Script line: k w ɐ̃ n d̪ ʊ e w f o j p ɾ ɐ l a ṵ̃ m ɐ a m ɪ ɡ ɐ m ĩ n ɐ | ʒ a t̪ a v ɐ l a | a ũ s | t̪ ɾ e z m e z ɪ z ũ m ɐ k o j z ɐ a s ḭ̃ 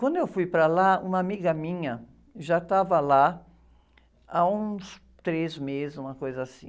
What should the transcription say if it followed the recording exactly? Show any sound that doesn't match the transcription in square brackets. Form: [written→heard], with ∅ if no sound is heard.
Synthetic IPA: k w ɐ̃ n d̪ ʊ e w f [o→u] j p ɾ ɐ l a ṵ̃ m ɐ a m [ɪ→i] ɡ ɐ m ĩ [n→ɲ] ɐ | ʒ a t̪ a v ɐ l a | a ũ s | t̪ ɾ e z m e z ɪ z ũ m ɐ k o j z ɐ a s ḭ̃